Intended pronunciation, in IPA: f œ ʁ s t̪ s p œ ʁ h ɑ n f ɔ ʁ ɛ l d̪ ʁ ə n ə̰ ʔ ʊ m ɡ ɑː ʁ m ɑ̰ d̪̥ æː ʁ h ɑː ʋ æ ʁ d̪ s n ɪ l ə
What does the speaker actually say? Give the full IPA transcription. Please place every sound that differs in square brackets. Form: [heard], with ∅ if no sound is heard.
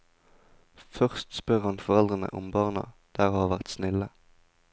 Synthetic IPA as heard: f œ ʁ s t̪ s p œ ʁ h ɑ n f ɔ ʁ ɛ l d̪ ʁ ə n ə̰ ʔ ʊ m [b] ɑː ʁ [n] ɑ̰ d̪̥ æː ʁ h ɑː ʋ æ ʁ [t̪] s n ɪ l ə